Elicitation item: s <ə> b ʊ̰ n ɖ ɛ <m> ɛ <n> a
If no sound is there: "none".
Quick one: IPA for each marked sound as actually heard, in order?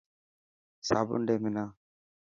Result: a, m, n

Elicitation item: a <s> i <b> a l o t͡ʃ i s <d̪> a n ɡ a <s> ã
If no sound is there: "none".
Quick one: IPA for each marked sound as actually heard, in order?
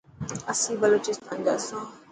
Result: s, b, t̪, s

